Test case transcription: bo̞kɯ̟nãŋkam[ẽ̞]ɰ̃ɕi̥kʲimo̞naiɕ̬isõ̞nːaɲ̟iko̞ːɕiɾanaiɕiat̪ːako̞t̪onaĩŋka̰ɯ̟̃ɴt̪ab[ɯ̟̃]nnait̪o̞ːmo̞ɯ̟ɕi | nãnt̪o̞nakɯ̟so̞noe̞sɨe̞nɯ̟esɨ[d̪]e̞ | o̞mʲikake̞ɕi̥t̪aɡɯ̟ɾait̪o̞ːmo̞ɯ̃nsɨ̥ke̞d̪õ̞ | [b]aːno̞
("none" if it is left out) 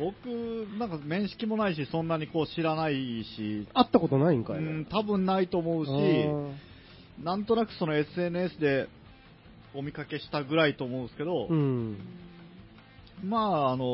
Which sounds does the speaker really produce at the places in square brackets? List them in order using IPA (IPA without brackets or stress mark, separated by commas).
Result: ẽ̞, ɯ̟̃, d̪, m